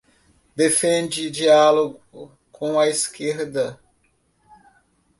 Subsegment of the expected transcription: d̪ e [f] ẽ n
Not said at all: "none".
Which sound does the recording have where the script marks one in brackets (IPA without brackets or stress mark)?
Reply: f